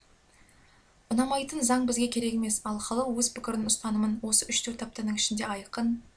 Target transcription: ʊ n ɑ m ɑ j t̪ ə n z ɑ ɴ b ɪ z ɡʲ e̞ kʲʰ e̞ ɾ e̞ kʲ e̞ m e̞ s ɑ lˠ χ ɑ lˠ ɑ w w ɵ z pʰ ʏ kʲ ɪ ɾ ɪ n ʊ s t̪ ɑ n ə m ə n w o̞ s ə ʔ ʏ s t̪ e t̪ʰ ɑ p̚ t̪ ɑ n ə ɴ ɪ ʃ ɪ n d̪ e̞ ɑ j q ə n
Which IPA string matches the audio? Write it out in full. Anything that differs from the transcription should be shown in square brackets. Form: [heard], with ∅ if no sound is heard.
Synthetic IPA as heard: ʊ n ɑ m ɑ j t̪ ə n z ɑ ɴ b ɪ z ɡʲ e̞ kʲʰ e̞ ɾ e̞ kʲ e̞ m e̞ s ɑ lˠ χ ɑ lˠ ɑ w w ɵ z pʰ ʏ kʲ ɪ ɾ ɪ n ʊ s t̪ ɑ n ə m ə n w o̞ s ə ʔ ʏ [ʃ] t̪ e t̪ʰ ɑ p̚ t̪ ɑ n ə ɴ ɪ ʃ ɪ n d̪ e̞ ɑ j q ə n